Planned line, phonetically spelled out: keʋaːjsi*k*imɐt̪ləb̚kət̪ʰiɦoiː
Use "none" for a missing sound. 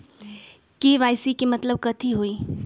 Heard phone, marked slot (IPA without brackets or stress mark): k